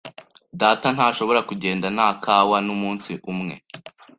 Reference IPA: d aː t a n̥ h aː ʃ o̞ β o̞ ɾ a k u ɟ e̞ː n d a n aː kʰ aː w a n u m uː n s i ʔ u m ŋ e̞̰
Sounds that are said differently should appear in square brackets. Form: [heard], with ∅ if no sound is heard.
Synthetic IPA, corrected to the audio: d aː t a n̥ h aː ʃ o̞ β o̞ ɾ a k u ɟ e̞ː n d a n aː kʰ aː w a n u m uː n s i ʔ u m ŋ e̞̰